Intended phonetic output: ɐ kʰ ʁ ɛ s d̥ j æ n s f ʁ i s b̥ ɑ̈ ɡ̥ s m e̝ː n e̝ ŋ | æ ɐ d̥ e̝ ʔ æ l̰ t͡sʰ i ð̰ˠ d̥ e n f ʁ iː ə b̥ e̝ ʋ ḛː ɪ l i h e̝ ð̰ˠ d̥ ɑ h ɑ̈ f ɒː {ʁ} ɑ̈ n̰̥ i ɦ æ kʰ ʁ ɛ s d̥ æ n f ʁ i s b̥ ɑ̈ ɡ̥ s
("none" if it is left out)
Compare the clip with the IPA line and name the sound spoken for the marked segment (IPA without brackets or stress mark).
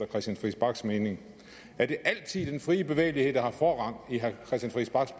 ʁ